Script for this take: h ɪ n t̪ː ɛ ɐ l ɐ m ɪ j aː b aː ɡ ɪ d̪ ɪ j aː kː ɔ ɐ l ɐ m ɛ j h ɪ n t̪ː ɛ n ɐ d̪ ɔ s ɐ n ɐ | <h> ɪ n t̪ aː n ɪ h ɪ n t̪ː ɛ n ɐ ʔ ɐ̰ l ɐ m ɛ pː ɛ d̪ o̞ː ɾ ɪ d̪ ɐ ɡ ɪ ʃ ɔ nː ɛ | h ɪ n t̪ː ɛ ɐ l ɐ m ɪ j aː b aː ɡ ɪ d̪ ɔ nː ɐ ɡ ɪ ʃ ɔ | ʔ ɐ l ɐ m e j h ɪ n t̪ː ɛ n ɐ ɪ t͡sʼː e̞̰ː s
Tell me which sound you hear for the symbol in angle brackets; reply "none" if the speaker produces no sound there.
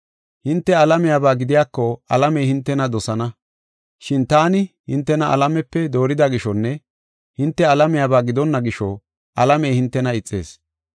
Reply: ʃ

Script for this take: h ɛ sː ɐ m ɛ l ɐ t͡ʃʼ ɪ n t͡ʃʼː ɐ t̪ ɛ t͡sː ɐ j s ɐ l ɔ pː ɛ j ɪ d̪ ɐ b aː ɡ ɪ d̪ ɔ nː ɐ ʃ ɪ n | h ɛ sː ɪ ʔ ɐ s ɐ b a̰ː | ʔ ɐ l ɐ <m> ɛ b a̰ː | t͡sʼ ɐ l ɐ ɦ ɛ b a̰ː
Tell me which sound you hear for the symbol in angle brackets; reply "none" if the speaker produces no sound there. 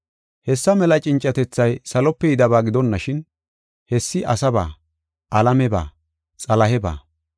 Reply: m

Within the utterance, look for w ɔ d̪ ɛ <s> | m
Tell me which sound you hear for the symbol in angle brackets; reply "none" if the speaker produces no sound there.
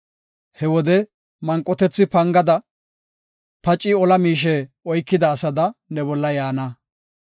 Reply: none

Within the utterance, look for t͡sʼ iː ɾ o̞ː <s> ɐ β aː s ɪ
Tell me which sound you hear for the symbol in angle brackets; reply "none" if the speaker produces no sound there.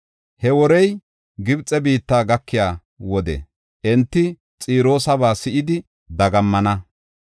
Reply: s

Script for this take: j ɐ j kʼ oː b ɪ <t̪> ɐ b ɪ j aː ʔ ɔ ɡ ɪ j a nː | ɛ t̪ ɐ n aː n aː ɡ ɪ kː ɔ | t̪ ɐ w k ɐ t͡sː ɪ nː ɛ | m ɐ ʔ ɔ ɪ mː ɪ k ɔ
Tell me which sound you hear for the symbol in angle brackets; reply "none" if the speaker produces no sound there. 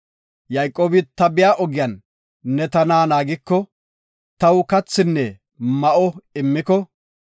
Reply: t̪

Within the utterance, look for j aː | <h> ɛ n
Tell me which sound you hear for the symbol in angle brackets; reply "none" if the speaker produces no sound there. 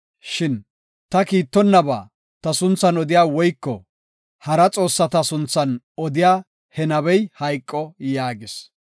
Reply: h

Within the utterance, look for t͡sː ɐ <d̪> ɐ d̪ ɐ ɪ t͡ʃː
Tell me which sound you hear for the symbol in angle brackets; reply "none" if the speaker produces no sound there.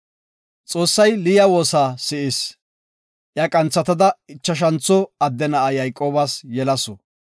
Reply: t̪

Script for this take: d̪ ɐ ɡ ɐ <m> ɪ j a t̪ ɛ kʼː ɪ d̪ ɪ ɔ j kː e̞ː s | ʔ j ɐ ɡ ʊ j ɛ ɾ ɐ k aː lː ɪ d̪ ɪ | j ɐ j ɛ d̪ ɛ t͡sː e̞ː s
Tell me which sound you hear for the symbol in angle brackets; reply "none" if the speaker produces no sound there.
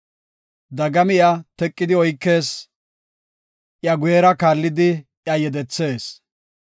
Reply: m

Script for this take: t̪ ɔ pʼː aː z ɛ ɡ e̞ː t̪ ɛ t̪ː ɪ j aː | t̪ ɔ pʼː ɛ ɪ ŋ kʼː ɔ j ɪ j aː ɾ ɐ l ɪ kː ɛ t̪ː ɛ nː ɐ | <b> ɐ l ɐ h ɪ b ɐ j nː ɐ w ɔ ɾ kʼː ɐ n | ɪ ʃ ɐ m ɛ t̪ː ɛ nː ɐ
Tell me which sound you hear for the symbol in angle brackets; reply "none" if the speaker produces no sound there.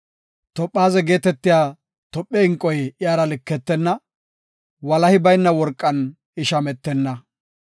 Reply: w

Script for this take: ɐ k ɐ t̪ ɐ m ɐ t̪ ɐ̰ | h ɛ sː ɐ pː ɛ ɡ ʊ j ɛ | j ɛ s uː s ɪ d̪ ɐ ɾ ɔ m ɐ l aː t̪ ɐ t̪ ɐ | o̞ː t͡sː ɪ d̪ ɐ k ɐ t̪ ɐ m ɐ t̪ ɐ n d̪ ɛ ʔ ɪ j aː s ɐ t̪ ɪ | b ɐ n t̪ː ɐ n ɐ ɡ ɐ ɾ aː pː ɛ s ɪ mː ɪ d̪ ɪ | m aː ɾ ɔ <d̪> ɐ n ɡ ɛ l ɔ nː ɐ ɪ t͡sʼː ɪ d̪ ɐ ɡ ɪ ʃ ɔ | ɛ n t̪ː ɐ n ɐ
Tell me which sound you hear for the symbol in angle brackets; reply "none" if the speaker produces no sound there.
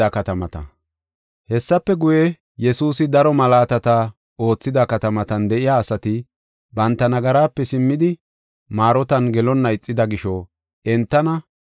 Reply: t̪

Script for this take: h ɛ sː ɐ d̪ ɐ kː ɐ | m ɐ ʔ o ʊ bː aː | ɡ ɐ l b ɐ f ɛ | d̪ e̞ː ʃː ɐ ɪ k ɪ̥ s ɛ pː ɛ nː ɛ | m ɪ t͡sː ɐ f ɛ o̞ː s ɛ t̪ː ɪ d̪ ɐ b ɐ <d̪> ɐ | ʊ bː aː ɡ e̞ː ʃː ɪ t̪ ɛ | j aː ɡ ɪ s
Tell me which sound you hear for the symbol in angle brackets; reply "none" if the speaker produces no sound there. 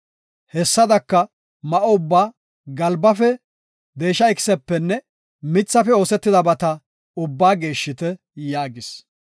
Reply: t̪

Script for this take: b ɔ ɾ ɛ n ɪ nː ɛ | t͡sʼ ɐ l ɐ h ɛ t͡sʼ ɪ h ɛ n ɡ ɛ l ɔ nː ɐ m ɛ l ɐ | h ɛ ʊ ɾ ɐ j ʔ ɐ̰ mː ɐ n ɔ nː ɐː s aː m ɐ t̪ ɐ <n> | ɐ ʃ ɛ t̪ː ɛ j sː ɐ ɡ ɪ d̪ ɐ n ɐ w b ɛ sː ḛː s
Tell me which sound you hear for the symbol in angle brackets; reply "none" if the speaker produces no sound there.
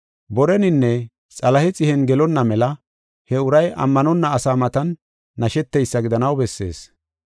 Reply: nː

